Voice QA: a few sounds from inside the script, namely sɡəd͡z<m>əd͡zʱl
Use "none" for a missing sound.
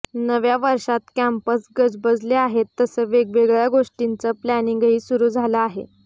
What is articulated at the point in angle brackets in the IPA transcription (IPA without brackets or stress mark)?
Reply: b